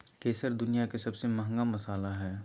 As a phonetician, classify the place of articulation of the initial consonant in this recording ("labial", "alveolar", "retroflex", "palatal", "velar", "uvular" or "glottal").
velar